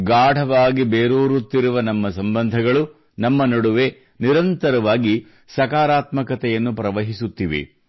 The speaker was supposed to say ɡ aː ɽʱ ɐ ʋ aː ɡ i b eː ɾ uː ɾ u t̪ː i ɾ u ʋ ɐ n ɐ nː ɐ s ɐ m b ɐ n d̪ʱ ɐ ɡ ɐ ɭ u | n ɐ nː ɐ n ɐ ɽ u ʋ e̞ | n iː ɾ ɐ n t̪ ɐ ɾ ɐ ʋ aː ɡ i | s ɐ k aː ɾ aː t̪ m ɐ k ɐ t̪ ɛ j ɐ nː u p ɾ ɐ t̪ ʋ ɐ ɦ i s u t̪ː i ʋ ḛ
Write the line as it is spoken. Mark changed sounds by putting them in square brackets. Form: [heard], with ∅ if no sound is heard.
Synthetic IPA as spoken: ɡ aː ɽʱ ɐ ʋ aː ɡ i b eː ɾ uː ɾ u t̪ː i ɾ u ʋ ɐ n ɐ [mː] ɐ s ɐ m b ɐ n d̪ʱ ɐ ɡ ɐ ɭ u | n ɐ [mː] ɐ n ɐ ɽ u ʋ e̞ | n [i] ɾ ɐ n t̪ ɐ ɾ ɐ ʋ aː ɡ i | s ɐ k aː ɾ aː t̪ m ɐ k ɐ t̪ ɛ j ɐ nː u p ɾ ɐ [∅] ʋ ɐ ɦ i s u t̪ː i ʋ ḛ